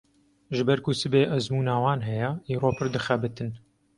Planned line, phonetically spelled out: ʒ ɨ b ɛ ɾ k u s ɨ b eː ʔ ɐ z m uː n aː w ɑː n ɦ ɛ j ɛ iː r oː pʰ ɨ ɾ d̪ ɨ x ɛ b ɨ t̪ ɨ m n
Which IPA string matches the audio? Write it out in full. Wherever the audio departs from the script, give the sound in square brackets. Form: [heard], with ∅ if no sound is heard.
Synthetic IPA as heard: ʒ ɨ b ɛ ɾ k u s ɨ b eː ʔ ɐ z m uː n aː w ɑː n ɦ ɛ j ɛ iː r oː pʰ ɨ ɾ d̪ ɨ x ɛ b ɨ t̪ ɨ [∅] n